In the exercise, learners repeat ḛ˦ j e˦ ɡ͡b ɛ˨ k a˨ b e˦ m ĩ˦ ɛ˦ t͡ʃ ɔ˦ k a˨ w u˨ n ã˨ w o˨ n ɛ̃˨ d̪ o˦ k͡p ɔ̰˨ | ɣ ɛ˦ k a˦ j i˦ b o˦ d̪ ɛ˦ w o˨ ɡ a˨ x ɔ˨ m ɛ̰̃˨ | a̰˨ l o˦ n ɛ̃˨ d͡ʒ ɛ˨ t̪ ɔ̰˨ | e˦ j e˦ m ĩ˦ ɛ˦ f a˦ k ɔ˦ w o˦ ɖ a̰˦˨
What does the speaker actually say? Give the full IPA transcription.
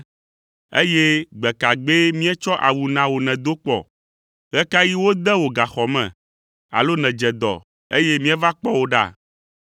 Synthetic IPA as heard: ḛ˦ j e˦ ɡ͡b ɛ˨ k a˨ ɡ͡b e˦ m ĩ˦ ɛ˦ t͡ʃ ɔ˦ ʔ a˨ w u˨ n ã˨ w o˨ n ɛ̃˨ d̪ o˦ k͡p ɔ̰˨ | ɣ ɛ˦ k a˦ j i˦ w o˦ d̪ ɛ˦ w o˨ ɡ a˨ x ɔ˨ m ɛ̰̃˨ | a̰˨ l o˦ n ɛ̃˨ d͡ʒ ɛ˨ d̪ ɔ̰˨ | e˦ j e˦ m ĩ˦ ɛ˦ v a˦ k͡p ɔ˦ w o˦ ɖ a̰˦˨